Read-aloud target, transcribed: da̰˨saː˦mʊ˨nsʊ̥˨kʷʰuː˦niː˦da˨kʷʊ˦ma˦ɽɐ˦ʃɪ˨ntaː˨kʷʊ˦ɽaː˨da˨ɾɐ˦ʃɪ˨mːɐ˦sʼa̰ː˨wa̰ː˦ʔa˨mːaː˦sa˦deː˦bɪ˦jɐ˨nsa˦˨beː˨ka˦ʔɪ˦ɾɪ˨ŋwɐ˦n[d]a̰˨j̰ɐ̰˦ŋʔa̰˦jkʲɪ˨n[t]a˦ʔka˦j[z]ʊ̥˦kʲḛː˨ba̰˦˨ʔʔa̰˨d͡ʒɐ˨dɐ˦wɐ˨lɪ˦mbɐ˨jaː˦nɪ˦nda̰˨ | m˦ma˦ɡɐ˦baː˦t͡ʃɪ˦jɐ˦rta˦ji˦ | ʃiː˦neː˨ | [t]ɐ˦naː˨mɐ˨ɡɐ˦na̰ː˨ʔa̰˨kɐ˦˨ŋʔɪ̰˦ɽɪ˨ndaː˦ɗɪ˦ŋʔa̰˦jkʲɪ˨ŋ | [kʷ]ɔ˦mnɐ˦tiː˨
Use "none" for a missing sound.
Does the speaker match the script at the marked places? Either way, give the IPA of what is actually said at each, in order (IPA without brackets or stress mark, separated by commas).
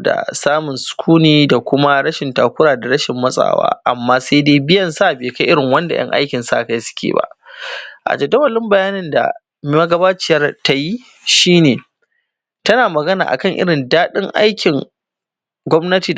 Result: d, s, s, t, ɡʷ